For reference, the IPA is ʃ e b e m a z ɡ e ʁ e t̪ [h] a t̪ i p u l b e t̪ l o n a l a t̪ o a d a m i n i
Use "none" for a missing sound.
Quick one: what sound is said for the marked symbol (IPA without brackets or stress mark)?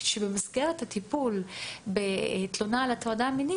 h